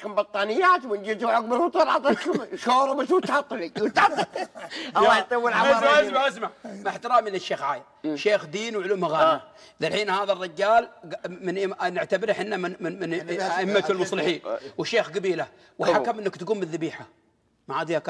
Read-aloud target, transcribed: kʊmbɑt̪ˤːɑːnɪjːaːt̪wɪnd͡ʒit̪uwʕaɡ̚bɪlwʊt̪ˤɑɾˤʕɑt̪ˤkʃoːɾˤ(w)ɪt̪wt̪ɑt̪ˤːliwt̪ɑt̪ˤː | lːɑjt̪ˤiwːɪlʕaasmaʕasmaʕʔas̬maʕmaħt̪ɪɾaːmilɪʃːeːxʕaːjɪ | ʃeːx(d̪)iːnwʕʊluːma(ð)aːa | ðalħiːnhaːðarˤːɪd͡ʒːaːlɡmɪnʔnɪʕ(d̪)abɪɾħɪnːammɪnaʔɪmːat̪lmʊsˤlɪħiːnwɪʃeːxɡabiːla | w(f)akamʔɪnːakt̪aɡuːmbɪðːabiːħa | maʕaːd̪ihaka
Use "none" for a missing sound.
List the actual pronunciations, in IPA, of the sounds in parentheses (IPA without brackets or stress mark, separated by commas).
b, d̪, ɣ, t̪, ħ